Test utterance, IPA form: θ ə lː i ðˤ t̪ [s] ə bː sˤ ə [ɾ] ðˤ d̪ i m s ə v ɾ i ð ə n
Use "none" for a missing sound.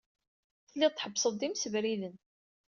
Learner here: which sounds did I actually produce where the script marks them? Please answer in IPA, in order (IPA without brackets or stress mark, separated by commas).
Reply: ħ, none